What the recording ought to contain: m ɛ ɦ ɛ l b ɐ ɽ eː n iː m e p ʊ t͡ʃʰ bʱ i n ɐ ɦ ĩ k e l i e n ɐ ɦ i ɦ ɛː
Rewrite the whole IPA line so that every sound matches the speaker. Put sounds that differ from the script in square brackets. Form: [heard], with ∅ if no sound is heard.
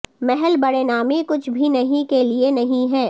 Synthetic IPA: m ɛ ɦ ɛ l b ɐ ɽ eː n [aː] m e [k] ʊ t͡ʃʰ bʱ i n ɐ ɦ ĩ k e l i e n ɐ ɦ [ĩ] ɦ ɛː